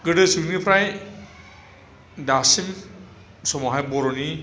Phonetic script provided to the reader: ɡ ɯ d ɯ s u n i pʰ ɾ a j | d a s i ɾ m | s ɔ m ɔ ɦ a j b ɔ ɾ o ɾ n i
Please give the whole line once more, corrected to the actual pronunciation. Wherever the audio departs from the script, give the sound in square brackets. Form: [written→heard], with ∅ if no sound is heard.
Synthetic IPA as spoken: ɡ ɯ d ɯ s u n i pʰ ɾ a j | d a s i [ɾ→∅] m | s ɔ m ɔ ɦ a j b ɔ ɾ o [ɾ→∅] n i